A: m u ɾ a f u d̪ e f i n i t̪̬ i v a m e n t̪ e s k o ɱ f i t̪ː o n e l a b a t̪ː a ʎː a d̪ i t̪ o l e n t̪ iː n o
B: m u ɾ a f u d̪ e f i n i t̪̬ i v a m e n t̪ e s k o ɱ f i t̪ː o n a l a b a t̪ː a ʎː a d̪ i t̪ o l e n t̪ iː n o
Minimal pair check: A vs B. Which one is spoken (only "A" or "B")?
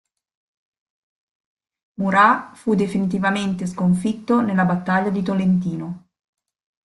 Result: A